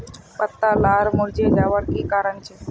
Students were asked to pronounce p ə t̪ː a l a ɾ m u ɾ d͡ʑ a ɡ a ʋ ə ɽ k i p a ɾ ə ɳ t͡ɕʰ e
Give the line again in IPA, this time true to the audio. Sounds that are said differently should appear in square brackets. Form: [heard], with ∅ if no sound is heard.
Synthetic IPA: p ə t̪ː a l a ɾ m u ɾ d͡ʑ [e] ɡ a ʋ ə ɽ k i [k] a ɾ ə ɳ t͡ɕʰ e